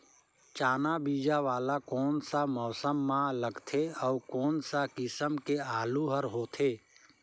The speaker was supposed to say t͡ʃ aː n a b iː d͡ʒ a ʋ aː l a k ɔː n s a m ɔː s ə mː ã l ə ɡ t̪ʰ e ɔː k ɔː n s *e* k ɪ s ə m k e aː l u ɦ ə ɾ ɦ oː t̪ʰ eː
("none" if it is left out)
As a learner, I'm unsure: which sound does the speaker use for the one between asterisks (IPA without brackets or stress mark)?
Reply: a